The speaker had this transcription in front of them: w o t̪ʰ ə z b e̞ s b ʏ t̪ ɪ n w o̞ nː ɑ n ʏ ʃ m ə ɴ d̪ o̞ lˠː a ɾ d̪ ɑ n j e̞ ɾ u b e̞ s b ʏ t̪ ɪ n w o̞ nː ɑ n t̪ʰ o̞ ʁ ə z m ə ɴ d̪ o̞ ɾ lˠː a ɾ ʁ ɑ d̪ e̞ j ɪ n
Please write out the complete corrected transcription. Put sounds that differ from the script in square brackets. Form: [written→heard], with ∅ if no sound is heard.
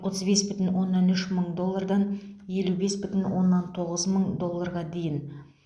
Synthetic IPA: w o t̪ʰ ə z b e̞ s b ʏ t̪ ɪ n w o̞ nː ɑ n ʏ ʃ m ə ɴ d̪ o̞ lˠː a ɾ d̪ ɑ n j e̞ [ɾ→l] u b e̞ s b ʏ t̪ ɪ n w o̞ nː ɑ n t̪ʰ o̞ ʁ ə z m ə ɴ d̪ o̞ [ɾ→∅] lˠː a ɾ ʁ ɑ d̪ e̞ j ɪ n